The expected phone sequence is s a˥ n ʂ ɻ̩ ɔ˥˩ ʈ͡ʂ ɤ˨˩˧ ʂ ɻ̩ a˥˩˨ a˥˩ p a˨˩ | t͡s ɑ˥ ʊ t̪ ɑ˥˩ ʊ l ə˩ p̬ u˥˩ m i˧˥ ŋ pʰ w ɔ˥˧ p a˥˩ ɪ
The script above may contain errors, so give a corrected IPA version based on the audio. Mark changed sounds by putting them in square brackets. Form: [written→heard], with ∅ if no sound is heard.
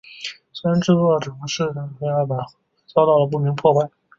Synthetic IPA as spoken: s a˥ n [ʂ→ʈ͡ʂ] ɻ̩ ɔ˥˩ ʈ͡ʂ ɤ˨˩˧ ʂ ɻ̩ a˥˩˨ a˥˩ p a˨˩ | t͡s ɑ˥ ʊ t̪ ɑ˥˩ ʊ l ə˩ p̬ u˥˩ m i˧˥ ŋ pʰ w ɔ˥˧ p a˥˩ ɪ